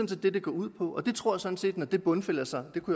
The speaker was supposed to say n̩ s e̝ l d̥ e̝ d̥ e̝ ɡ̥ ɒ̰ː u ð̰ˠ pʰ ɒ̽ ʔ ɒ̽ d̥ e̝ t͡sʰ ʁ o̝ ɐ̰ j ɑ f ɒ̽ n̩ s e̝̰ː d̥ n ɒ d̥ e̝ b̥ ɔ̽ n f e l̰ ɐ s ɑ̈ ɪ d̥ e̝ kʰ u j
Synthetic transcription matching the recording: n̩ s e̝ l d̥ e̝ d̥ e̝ ɡ̥ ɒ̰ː u ð̰ˠ pʰ ɒ̽ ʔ ɒ̽ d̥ e̝ t͡sʰ ʁ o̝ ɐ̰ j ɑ s ɒ̽ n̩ s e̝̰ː d̥ n ɒ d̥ e̝ b̥ ɔ̽ n f e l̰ ɐ s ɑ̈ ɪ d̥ e̝ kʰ u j